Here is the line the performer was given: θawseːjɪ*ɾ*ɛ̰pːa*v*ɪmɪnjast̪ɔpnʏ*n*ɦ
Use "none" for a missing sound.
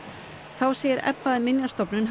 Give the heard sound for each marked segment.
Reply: ɾ, ð, n

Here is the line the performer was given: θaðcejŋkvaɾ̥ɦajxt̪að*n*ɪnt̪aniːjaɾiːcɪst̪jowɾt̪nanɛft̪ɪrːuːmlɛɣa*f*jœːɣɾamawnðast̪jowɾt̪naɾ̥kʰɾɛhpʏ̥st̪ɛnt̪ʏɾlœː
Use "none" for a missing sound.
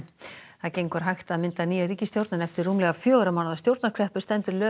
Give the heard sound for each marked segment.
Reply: m, f

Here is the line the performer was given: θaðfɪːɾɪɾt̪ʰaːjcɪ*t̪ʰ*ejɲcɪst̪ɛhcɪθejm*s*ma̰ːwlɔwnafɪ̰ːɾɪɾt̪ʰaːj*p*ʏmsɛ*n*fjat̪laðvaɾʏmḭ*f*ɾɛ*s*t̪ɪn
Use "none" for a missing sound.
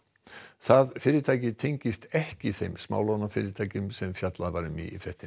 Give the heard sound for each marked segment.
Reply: t̪ʰ, s, c, m, f, h

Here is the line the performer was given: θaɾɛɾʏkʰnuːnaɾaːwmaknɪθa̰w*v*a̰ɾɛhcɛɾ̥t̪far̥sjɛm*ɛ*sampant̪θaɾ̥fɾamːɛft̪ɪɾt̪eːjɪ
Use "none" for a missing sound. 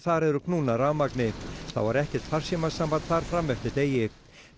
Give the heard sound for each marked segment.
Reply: v, a

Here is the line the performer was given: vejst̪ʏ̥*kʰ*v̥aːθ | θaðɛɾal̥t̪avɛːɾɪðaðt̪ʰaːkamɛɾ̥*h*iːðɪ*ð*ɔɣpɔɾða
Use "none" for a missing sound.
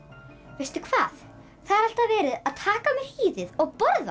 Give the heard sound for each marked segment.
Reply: kʰ, h, ð

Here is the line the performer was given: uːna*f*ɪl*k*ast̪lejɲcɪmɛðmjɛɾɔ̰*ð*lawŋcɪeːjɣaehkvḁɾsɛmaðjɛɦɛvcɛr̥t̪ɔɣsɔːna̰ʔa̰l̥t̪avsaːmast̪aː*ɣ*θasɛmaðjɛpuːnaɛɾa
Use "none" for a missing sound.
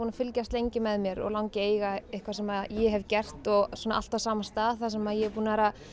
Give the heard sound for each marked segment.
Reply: f, c, ɣ, ð

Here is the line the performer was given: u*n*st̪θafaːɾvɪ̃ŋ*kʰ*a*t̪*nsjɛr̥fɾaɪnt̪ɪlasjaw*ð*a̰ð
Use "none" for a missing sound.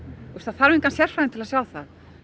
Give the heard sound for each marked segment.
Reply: none, k, none, θ

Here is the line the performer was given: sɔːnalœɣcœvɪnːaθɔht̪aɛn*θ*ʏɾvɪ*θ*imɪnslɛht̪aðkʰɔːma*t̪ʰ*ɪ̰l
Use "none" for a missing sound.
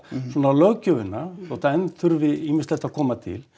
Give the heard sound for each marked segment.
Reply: θ, none, t̪ʰ

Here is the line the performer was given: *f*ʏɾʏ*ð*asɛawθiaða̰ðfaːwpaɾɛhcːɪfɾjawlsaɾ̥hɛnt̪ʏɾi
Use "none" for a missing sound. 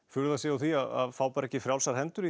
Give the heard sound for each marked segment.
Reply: f, ð

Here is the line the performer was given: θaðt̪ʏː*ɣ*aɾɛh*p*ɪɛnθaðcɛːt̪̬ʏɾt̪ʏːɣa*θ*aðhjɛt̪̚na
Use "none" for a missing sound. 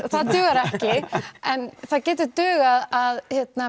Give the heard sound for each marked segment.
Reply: ɣ, c, ð

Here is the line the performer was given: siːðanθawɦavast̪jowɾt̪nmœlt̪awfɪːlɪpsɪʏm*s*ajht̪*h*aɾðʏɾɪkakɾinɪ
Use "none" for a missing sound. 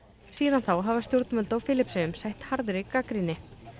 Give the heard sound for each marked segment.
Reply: s, h

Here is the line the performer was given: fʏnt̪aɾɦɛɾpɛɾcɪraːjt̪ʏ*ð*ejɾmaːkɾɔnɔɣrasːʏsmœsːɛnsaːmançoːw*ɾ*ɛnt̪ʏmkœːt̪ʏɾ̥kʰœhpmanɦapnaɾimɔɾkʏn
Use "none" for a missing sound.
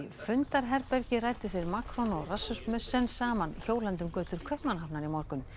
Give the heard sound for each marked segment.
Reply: θ, l

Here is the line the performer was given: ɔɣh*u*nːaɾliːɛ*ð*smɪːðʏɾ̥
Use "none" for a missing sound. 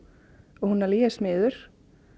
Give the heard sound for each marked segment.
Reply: u, none

